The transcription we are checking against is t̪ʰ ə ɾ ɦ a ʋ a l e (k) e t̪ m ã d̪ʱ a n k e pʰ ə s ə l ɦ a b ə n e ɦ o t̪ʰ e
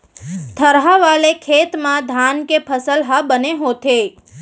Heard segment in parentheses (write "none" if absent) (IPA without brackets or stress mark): kʰ